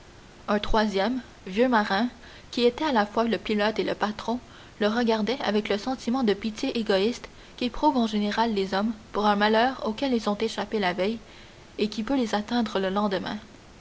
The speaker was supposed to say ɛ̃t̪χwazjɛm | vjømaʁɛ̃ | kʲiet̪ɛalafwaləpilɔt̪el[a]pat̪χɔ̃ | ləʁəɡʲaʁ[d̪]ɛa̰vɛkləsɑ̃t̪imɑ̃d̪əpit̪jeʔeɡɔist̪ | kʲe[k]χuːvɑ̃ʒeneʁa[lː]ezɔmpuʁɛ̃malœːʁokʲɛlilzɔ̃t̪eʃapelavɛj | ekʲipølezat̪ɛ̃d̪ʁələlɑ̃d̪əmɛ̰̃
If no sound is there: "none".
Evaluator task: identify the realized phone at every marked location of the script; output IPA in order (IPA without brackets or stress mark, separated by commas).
ə, d̪, p, lː